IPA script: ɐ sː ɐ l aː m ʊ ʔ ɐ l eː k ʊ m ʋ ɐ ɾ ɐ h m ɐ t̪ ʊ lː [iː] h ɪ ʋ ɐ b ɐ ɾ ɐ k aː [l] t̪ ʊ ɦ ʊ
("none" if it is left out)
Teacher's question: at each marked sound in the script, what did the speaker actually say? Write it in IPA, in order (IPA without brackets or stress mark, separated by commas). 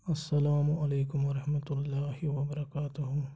aː, none